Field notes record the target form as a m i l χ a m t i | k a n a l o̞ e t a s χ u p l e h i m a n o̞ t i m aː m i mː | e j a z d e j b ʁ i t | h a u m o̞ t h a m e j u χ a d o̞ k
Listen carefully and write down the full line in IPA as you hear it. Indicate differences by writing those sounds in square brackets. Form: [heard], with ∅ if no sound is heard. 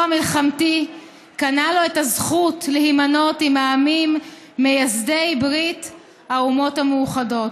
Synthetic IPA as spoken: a m i l χ a m t i | k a n a l o̞ e t a [z] χ u [t] l e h i m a n o̞ t i m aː m i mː | e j a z d e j b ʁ i t | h a u m o̞ t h a m e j u χ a d o̞ [t]